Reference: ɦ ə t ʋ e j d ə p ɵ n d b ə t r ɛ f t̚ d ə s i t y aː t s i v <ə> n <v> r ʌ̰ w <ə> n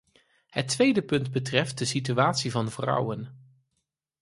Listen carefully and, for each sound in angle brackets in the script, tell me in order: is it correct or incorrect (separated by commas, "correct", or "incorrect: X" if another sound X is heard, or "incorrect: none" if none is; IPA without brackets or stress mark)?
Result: incorrect: ɑ, correct, correct